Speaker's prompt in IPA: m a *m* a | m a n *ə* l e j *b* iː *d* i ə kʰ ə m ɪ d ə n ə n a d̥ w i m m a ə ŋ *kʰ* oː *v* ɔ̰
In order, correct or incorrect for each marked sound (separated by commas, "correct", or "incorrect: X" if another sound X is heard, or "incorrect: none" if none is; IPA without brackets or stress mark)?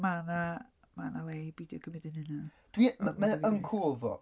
incorrect: n, incorrect: a, correct, correct, correct, correct